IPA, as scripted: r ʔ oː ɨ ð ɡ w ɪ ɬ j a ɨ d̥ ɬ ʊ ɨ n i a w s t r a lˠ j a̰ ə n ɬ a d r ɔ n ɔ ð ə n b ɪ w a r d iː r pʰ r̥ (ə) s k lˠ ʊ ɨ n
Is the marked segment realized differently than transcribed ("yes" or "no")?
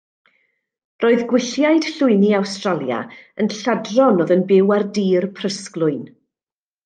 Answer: no